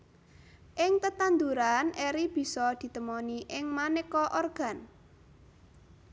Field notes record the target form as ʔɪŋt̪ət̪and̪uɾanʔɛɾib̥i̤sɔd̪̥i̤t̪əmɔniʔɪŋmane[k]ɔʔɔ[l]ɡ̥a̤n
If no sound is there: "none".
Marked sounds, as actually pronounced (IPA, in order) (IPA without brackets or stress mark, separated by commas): k, r